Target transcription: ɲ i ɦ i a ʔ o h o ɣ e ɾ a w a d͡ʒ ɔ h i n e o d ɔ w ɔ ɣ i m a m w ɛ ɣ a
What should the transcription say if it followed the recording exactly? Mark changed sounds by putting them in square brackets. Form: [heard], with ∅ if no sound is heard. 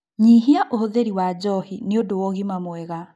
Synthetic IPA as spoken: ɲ i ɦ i a ʔ o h o [ð] e ɾ [i] w a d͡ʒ ɔ h i n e o d [o] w ɔ ɣ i m a m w ɛ ɣ a